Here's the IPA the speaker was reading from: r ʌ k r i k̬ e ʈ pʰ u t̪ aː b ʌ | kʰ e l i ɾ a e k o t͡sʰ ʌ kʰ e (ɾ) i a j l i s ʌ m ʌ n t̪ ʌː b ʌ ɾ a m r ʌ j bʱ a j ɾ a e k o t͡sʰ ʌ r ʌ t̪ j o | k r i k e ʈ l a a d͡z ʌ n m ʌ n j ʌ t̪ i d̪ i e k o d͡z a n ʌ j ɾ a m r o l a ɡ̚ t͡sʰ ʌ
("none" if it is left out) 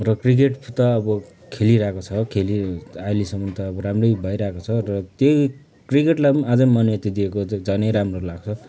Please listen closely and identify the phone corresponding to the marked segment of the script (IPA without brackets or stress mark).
l